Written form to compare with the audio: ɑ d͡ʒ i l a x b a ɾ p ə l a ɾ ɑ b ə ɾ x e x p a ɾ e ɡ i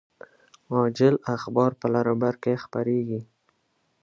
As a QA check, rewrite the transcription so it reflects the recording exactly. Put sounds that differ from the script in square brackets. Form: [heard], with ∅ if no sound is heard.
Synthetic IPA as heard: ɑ d͡ʒ [ɪ] l a x b [ɑ] ɾ p ə l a ɾ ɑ b [a] ɾ [k] e x p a ɾ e ɡ i